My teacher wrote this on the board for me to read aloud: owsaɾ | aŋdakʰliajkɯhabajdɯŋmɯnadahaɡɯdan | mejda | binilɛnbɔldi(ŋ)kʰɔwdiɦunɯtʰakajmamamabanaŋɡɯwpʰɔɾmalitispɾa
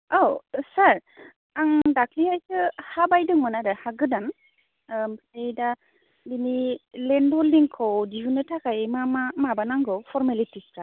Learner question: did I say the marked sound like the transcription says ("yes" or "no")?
yes